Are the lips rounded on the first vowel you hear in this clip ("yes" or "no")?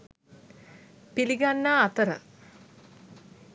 no